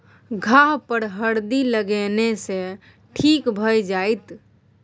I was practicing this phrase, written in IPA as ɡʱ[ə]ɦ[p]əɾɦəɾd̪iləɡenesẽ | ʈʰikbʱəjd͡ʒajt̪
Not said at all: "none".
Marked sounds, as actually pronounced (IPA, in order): a, p

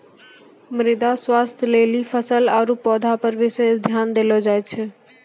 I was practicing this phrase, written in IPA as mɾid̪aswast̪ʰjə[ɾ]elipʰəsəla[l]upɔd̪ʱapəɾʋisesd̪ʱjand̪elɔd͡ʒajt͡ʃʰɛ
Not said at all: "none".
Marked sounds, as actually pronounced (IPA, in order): l, ɾ

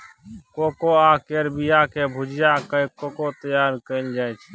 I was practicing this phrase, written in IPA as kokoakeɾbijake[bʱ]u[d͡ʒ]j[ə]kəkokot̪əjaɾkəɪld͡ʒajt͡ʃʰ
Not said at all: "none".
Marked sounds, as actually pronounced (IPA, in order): bʱ, d͡ʒ, a

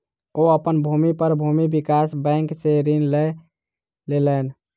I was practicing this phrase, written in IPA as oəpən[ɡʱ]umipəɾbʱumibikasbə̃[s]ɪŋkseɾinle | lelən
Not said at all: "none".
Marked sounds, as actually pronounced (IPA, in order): bʱ, none

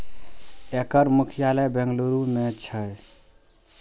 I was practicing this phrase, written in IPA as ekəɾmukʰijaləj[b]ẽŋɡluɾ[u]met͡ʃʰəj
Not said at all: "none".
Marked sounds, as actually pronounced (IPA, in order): b, u

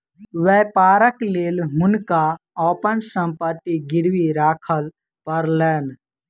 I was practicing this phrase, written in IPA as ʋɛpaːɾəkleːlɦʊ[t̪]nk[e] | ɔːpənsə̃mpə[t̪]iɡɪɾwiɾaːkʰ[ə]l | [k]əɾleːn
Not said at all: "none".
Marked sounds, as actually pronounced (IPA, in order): none, a, t̪, ə, p

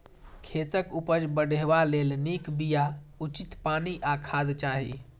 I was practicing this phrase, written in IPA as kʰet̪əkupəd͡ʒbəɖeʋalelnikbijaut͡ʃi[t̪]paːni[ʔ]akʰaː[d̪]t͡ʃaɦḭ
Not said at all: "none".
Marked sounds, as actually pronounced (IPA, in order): t̪, ʔ, d̪

